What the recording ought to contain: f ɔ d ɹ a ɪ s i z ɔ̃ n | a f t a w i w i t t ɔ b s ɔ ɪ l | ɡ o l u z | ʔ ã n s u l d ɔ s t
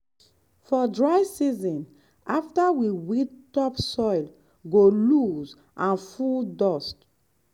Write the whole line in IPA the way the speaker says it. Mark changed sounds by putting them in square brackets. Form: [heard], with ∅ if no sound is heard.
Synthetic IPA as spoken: f ɔ d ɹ a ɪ s i z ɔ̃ n | a f t a w i w i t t ɔ [p] s ɔ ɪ l | ɡ o l u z | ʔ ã n [f] u l d ɔ s t